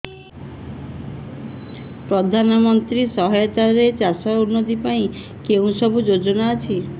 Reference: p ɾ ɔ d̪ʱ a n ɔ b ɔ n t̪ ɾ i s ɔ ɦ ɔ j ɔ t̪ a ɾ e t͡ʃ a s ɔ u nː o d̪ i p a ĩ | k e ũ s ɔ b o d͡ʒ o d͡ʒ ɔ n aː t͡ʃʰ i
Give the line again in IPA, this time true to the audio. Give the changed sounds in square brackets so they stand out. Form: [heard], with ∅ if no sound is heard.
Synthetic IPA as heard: p ɾ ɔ d̪ʱ a n ɔ [m] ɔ n t̪ ɾ i s ɔ ɦ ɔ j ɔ t̪ a ɾ e t͡ʃ a s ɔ u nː o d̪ i p a ĩ | k e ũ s ɔ b [u] d͡ʒ o d͡ʒ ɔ n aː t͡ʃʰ i